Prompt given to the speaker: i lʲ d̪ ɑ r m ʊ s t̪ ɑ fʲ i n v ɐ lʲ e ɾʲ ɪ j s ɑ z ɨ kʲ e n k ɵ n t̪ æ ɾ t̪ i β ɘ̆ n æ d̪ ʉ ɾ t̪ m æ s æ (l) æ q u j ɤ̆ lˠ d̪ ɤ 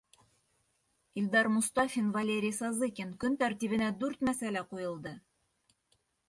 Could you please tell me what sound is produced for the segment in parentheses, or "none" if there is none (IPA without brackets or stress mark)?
l